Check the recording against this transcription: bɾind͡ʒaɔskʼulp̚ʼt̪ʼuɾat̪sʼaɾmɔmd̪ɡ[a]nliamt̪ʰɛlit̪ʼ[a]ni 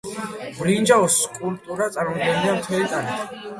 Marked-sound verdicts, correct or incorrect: incorrect, correct

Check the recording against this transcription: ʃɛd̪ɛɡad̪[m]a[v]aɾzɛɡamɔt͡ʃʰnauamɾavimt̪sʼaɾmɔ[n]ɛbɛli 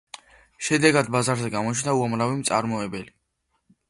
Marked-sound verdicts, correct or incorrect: incorrect, incorrect, incorrect

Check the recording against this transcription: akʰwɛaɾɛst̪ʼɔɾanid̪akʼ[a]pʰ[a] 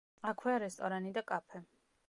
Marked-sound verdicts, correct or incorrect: correct, incorrect

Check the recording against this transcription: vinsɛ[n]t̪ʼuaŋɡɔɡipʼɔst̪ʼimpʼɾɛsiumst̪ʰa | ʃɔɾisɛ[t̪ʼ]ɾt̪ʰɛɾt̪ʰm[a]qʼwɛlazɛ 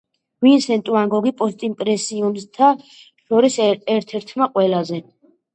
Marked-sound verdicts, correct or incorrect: correct, incorrect, correct

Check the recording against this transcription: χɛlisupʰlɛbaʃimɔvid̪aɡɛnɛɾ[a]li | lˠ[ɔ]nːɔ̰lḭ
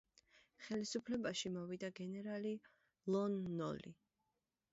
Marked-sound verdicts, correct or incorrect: correct, correct

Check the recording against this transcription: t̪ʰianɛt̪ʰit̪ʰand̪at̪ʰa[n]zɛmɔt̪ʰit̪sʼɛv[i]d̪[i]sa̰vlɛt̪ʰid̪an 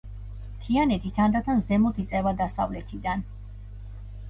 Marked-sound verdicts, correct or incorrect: correct, incorrect, incorrect

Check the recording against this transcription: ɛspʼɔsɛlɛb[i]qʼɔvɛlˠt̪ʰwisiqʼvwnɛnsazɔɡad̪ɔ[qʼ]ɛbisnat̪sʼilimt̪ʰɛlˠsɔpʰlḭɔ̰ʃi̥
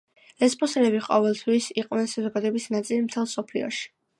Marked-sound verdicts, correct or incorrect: correct, incorrect

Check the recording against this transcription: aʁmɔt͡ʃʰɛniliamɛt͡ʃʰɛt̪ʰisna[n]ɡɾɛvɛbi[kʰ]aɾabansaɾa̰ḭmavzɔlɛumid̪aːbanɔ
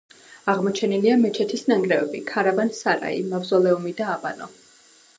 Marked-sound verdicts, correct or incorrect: incorrect, correct

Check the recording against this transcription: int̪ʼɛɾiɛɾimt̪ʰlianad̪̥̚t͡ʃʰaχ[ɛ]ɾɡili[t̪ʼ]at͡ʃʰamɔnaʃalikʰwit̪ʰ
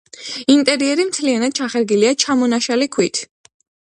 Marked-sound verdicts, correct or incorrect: correct, incorrect

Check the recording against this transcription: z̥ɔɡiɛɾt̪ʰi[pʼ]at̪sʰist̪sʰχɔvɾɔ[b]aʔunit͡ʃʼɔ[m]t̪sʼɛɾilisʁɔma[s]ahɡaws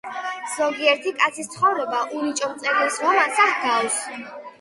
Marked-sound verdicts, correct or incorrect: incorrect, correct, correct, correct

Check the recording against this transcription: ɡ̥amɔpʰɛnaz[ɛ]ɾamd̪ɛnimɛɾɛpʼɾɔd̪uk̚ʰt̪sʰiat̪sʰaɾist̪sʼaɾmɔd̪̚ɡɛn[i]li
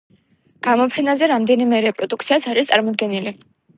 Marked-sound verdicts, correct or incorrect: correct, correct

